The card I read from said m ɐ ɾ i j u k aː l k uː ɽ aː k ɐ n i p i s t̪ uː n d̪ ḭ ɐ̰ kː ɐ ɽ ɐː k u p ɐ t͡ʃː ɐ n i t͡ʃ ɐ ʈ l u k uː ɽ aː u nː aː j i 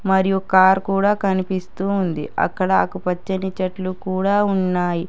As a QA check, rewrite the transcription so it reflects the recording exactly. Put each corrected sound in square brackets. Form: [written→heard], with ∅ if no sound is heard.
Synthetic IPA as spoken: m ɐ ɾ i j u k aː [l→ɾ] k uː ɽ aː k ɐ n i p i s t̪ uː n d̪ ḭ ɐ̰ kː ɐ ɽ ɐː k u p ɐ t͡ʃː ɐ n i t͡ʃ ɐ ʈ l u k uː ɽ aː u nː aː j i

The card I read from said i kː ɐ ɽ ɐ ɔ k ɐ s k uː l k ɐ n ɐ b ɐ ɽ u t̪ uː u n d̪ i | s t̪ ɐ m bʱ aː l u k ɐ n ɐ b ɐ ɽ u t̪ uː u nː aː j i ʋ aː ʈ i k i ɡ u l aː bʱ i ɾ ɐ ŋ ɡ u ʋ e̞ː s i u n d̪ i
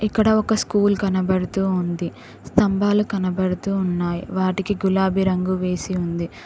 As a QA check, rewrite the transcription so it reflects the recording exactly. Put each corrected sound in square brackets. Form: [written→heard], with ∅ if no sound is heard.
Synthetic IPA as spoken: i kː ɐ ɽ ɐ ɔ k ɐ s k uː l k ɐ n ɐ b ɐ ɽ u t̪ uː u n d̪ i | s t̪ ɐ m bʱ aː l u k ɐ n ɐ b ɐ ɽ u t̪ uː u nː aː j i ʋ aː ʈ i k i ɡ u l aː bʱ i ɾ ɐ ŋ ɡ u ʋ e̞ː s i u n d̪ i

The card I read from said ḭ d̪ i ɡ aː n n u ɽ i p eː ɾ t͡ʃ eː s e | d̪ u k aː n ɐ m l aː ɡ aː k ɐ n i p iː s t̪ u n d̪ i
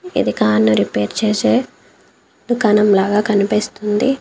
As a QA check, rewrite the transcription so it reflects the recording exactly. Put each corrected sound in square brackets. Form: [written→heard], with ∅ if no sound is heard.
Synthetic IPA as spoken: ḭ d̪ i [ɡ→k] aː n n u [ɽ→ɾ] i p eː ɾ t͡ʃ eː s e | d̪ u k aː n ɐ m l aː ɡ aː k ɐ n i p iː s t̪ u n d̪ i

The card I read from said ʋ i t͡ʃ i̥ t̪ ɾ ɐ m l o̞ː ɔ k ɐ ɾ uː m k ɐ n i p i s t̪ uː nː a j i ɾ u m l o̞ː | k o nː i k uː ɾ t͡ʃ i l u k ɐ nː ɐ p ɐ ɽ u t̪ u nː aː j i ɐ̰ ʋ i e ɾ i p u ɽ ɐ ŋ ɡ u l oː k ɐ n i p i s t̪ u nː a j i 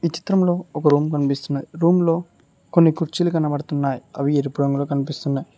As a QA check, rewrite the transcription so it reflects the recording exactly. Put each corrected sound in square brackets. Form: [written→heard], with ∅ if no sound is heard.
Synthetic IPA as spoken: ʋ i t͡ʃ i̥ t̪ ɾ ɐ m l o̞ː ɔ k ɐ ɾ uː m k ɐ n i p i s t̪ [uː→u] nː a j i ɾ [u→uː] m l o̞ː | k o nː i k [uː→u] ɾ t͡ʃ i l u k ɐ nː ɐ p ɐ ɽ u t̪ u nː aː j i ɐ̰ ʋ i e ɾ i p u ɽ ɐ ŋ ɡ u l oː k ɐ n i p i s t̪ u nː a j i

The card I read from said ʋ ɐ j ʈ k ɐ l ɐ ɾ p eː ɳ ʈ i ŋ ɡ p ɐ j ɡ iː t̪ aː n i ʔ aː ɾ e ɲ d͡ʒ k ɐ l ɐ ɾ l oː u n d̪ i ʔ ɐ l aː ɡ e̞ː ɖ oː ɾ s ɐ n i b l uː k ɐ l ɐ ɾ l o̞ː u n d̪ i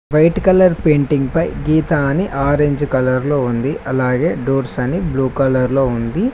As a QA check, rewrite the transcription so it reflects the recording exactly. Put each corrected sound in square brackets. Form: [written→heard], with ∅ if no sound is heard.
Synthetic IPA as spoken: ʋ ɐ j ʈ k ɐ l ɐ ɾ p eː ɳ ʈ i ŋ ɡ p ɐ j ɡ iː t̪ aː n i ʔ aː ɾ e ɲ d͡ʒ k ɐ l ɐ ɾ l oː u n d̪ i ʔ ɐ l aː ɡ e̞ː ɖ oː ɾ s ɐ n i b l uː k ɐ l ɐ ɾ l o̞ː u n d̪ i

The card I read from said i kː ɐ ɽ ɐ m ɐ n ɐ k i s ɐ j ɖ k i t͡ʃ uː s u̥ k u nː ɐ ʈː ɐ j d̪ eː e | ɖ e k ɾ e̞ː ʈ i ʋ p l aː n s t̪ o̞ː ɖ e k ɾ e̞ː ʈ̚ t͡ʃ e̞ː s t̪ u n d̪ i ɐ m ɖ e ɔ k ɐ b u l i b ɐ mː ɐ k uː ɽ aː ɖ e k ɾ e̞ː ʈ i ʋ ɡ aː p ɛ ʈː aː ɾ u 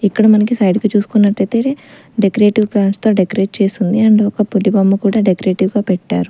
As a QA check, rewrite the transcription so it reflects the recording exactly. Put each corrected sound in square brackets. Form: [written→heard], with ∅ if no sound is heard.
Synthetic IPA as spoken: i kː ɐ ɽ ɐ m ɐ n ɐ k i s ɐ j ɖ k i t͡ʃ uː s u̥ k u nː ɐ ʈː ɐ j [d̪→t̪] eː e | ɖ e k ɾ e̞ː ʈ i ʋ p l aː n s t̪ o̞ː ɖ e k ɾ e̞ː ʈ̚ t͡ʃ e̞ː s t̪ u n d̪ i ɐ [m→ɳ] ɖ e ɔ k ɐ [b→p] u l i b ɐ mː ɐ k uː ɽ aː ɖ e k ɾ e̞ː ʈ i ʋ ɡ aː p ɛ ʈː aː ɾ u

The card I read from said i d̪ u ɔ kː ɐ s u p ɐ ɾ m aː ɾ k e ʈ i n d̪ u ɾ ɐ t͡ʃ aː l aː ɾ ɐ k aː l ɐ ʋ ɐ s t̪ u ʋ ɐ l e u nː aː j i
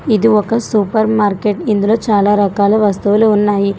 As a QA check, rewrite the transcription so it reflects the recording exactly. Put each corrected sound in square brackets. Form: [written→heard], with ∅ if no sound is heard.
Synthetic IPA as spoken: i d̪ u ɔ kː ɐ s u p ɐ ɾ m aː ɾ k e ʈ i n d̪ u [ɾ→l] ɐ t͡ʃ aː l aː ɾ ɐ k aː l ɐ ʋ ɐ s t̪ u ʋ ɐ l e u nː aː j i

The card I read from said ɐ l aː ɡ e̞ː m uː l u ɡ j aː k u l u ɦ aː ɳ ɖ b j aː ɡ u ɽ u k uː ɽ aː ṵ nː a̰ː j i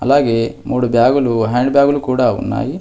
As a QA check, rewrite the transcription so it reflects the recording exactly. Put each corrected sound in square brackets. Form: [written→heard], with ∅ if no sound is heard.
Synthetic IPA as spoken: ɐ l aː ɡ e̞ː m uː [l→ɽ] u [ɡ→b] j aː [k→ɡ] u l u ɦ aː ɳ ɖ b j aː ɡ u [ɽ→l] u k uː ɽ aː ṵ nː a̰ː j i

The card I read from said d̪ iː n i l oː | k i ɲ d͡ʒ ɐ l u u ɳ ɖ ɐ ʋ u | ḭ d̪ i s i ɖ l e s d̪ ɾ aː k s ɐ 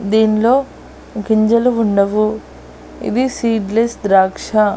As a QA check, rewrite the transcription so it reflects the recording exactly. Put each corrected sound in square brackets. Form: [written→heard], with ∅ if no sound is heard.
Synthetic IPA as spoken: d̪ iː n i l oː | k i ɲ d͡ʒ ɐ l u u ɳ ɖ ɐ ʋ u | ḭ d̪ i s [i→iː] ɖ l e s d̪ ɾ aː k [s→ʂ] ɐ

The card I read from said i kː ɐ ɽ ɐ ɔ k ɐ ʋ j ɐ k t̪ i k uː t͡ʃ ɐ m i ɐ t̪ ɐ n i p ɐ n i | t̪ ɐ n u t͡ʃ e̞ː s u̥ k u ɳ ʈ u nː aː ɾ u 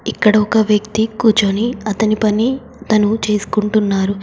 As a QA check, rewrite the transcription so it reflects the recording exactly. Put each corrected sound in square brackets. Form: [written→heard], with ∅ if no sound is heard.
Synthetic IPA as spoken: i kː ɐ ɽ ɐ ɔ k ɐ ʋ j ɐ k t̪ i k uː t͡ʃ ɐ [m→n] i ɐ t̪ ɐ n i p ɐ n i | t̪ ɐ n u t͡ʃ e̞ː s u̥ k u ɳ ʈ u nː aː ɾ u

